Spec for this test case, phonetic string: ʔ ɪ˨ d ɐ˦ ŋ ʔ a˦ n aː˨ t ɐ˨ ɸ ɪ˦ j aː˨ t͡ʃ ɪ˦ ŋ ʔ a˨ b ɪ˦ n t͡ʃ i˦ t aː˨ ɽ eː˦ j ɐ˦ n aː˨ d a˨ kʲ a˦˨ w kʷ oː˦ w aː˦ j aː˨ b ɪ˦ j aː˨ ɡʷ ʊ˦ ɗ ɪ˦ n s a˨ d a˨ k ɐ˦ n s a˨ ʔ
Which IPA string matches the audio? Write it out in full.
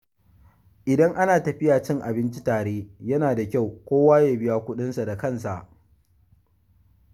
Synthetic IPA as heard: ʔ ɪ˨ d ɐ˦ ŋ ʔ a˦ n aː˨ t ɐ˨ ɸ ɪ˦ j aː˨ t͡ʃ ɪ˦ ŋ ʔ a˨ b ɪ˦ n t͡ʃ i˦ t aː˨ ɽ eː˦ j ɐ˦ n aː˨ d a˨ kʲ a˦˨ w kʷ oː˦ w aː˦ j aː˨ b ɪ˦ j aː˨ kʷ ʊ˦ ɗ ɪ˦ n s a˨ d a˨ k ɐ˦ n s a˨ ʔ